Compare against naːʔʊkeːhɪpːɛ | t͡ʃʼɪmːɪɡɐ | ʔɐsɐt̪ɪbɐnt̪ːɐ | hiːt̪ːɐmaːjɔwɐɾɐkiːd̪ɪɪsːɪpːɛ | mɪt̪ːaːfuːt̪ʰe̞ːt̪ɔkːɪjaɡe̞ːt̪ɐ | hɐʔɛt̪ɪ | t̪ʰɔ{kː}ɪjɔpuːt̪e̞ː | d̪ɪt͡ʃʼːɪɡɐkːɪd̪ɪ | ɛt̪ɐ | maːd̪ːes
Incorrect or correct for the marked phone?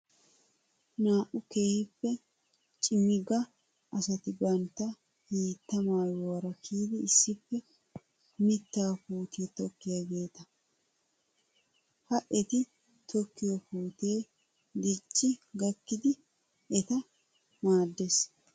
correct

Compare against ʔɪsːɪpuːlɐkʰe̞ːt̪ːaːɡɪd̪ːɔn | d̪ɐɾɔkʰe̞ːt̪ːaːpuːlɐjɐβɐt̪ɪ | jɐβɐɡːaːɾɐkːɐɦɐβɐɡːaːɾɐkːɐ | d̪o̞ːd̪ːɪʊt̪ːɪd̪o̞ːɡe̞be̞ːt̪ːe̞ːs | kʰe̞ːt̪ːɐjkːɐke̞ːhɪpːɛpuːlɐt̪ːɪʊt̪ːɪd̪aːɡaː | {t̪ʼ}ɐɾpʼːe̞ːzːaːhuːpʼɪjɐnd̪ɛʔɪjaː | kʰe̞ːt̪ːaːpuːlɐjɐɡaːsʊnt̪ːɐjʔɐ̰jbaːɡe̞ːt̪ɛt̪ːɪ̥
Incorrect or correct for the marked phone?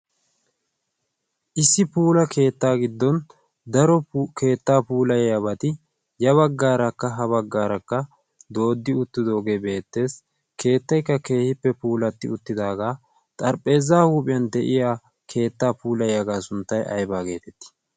correct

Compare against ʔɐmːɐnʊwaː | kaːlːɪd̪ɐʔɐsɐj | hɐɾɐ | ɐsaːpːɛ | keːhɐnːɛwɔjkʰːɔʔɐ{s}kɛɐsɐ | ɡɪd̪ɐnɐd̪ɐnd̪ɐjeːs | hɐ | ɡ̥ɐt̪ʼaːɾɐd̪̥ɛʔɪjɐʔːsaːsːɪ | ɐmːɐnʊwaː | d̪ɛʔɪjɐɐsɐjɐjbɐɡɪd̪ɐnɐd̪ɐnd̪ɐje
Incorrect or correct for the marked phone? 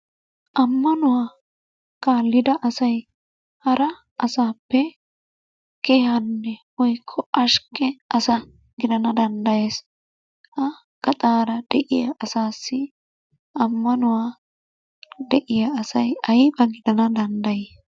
incorrect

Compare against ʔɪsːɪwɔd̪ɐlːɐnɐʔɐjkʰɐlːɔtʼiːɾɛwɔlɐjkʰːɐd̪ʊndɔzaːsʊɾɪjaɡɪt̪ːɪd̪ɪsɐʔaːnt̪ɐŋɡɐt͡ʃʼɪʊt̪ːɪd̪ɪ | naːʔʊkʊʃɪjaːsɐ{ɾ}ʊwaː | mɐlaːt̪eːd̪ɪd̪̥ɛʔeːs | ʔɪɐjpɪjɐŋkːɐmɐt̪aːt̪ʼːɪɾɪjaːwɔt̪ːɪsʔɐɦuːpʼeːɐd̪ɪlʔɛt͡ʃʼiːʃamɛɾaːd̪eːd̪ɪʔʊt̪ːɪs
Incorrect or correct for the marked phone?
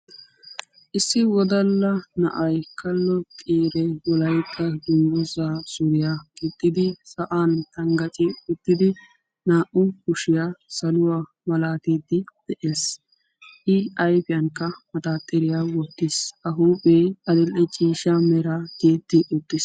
incorrect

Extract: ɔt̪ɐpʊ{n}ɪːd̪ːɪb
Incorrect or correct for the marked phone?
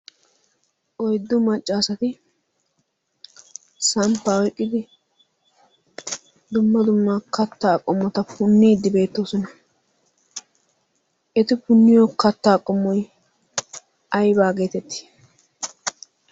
incorrect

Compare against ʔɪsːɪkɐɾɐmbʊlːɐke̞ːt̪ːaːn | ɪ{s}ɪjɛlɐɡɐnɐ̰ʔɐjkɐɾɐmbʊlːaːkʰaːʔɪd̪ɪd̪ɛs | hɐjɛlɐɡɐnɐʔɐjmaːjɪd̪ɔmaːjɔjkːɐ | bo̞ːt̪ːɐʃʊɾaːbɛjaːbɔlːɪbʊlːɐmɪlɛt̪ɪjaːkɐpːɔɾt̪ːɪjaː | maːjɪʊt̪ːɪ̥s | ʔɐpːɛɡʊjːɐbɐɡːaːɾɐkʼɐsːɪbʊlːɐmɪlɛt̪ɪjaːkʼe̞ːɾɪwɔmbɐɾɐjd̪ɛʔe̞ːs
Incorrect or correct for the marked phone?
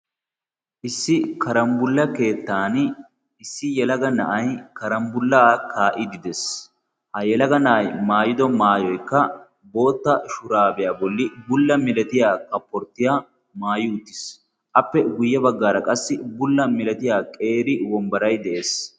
incorrect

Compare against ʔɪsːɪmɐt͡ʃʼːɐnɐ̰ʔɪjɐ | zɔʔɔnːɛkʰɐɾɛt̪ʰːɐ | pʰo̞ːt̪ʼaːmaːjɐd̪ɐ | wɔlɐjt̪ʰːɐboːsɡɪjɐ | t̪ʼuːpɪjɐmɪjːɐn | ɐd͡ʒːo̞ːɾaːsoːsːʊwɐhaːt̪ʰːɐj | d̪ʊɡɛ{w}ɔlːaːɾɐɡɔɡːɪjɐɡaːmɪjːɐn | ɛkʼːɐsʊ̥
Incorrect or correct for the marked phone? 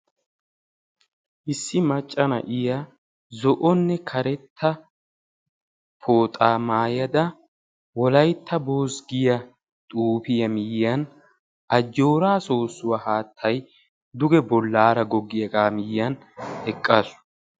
incorrect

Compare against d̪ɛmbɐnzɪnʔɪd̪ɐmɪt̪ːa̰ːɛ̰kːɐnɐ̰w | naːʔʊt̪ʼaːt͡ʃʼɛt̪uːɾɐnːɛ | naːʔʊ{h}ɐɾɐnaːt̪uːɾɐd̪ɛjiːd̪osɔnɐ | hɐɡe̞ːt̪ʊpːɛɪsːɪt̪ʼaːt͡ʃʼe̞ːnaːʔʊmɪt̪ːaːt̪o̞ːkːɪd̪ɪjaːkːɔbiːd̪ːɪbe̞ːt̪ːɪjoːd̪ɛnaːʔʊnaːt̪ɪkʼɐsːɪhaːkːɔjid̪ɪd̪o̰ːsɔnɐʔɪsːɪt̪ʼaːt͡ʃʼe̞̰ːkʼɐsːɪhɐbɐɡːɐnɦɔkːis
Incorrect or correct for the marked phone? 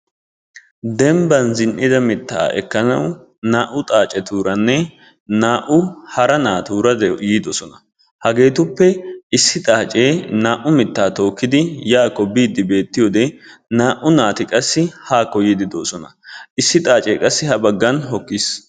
correct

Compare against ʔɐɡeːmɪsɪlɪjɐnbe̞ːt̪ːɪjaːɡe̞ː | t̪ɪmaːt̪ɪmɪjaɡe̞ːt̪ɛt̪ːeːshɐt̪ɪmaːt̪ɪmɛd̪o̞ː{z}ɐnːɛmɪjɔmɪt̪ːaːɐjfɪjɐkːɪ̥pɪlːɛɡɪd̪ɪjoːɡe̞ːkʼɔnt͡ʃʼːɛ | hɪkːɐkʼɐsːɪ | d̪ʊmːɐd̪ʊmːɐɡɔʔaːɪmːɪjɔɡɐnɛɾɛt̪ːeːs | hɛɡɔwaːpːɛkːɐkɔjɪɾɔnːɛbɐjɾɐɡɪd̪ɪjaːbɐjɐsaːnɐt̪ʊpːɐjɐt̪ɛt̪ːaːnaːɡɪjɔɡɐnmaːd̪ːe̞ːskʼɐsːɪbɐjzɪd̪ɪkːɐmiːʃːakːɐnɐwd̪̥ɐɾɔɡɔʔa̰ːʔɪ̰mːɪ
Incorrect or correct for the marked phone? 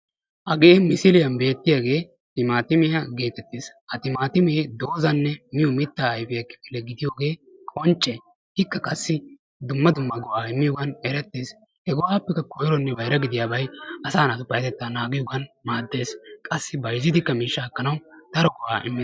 correct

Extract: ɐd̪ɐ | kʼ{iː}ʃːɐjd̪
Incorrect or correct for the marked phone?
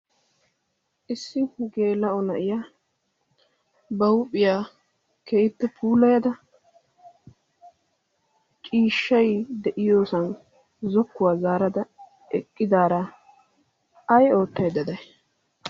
correct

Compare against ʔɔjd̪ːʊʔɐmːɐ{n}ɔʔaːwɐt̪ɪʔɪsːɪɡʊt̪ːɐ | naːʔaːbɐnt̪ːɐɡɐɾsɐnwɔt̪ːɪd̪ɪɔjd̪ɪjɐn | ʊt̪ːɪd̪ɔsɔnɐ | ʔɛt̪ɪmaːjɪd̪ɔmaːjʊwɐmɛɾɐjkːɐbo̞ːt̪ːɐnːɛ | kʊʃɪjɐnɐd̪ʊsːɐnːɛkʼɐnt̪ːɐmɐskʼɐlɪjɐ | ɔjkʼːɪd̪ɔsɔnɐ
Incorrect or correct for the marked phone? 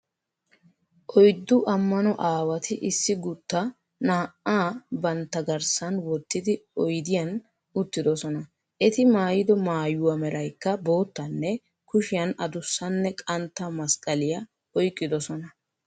correct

